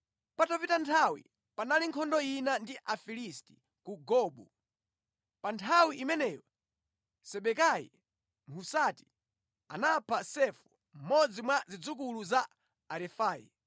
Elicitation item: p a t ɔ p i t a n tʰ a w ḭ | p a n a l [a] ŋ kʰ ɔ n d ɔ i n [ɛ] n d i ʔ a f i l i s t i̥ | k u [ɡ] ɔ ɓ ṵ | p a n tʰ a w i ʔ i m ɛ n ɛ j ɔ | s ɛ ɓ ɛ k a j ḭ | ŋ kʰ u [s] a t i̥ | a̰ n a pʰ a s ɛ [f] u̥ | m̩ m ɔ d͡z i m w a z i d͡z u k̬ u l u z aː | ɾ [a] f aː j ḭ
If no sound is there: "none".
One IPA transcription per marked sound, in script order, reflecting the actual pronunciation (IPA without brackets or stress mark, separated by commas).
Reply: i, a, ɡ, s, f, ɛ